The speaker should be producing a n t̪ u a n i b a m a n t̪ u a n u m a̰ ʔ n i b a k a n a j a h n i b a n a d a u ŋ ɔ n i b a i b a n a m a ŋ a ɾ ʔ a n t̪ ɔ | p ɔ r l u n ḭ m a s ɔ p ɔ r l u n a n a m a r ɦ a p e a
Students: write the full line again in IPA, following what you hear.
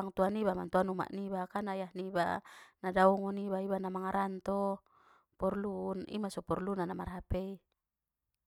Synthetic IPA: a ŋ t̪ u a n i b a m a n t̪ u a n u m a̰ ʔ n i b a k a n a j a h n i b a n a d a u ŋ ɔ n i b a i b a n a m a ŋ a ɾ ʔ a n t̪ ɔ | p ɔ r l u n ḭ m a s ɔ p ɔ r l u n a n a m a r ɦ a p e i